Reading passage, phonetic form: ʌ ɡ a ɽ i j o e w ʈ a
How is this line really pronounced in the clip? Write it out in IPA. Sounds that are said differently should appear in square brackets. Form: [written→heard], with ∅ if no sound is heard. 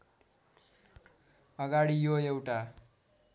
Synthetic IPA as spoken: ʌ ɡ a ɽ i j o e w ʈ a